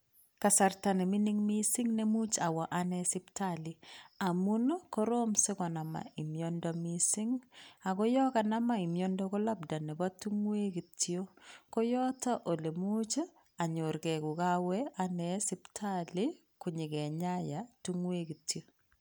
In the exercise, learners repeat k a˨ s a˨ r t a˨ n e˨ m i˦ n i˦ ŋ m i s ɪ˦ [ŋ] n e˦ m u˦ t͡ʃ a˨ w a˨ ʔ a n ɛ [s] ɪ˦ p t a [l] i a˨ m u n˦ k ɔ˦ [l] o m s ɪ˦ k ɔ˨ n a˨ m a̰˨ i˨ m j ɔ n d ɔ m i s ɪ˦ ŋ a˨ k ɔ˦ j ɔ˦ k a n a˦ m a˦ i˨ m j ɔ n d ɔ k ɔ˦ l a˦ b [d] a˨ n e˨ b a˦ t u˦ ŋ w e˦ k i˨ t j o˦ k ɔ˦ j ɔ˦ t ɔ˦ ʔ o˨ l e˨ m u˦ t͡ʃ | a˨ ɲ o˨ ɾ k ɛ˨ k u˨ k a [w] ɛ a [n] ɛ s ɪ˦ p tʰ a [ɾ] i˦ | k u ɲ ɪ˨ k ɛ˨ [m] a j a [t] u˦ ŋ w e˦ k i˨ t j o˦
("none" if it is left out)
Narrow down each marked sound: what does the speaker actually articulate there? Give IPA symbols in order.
ŋ, s, l, ɾ, d, w, n, l, ɲ, t

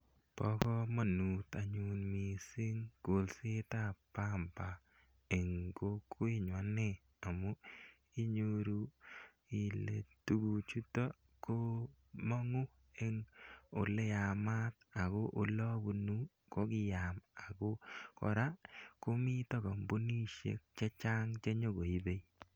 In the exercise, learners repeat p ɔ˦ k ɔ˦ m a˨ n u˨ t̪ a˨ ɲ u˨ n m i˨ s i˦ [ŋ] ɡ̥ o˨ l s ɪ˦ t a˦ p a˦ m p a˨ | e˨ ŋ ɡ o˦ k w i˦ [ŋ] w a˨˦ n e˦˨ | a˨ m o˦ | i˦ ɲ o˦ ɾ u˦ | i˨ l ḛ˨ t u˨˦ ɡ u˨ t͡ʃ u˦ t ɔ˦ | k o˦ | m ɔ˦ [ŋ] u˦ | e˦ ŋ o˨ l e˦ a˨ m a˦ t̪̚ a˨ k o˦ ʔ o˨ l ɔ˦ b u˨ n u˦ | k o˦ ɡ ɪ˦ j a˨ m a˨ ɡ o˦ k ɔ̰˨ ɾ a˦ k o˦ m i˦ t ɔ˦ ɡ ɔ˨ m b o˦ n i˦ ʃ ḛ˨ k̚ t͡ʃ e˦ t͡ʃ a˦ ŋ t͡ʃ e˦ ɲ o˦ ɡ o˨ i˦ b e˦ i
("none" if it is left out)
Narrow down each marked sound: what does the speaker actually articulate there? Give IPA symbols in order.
ŋ, ɲ, ŋ

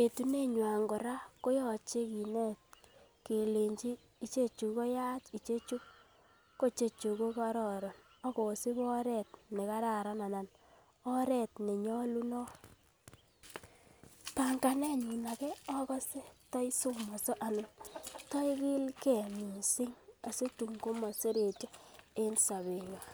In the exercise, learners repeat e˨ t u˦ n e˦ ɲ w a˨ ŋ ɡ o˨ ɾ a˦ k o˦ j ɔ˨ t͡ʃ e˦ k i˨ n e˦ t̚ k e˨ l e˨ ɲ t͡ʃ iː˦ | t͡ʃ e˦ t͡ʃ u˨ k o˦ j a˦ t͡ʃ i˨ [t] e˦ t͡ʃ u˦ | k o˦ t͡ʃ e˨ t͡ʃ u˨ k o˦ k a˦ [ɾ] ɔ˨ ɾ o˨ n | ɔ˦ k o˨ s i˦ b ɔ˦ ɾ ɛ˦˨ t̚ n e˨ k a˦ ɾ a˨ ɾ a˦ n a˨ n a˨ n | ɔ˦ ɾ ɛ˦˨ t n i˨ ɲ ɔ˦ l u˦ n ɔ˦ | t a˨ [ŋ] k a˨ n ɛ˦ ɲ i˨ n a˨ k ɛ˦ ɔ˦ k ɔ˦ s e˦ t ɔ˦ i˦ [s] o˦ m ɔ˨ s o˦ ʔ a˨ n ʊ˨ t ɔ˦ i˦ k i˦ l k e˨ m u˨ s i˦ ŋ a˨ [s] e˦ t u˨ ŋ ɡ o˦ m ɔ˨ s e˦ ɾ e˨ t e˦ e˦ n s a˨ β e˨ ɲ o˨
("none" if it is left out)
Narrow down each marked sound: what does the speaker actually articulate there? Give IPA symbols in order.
t͡ʃ, ɾ, ŋ, s, s

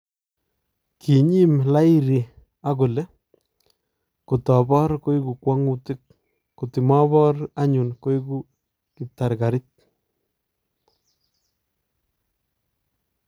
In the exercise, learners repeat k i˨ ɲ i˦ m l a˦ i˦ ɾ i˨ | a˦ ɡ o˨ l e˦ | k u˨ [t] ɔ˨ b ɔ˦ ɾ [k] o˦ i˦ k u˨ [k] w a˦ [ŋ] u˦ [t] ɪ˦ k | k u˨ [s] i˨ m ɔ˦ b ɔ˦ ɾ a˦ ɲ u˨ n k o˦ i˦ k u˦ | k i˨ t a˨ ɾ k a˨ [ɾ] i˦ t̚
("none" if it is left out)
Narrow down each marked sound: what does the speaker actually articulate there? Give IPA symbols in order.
t, k, k, ŋ, t, t, ɾ

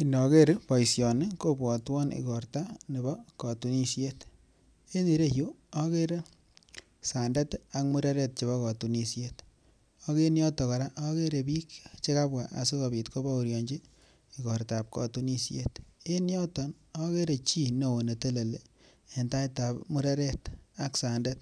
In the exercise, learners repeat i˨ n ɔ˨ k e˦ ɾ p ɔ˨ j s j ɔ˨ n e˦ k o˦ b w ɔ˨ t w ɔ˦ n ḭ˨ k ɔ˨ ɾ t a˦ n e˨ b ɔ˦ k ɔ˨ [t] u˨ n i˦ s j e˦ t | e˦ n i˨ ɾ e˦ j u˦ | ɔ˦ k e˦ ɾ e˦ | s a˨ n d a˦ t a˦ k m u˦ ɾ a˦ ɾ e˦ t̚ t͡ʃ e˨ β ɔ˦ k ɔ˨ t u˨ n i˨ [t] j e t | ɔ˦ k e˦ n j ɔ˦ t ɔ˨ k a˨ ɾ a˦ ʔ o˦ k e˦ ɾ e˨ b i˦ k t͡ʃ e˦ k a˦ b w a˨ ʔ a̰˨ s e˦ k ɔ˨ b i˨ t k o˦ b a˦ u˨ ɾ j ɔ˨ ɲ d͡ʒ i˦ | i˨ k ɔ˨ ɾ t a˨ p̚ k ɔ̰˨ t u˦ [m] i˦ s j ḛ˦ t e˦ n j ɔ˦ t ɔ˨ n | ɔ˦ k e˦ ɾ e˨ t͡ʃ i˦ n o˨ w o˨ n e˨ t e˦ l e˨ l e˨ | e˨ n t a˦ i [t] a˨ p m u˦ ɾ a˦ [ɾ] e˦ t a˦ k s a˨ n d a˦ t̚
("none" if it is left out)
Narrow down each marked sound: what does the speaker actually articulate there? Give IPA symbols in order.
t, s, n, t, ɾ

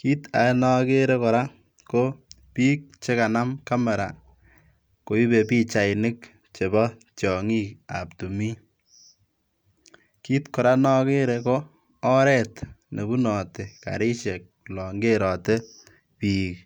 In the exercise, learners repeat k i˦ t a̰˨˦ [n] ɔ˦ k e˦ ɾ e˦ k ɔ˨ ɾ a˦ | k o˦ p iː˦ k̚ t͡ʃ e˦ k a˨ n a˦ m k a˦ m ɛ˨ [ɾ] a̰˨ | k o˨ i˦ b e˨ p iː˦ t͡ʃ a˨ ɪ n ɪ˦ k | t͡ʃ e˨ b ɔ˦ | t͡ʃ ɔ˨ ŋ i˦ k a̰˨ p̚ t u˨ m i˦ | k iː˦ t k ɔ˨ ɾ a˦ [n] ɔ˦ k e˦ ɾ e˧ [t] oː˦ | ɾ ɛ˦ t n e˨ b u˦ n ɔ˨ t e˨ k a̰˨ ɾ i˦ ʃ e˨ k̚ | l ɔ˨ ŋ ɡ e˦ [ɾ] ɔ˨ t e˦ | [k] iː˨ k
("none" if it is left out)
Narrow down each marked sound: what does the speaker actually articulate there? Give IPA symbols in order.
n, ɾ, n, k, ɾ, p

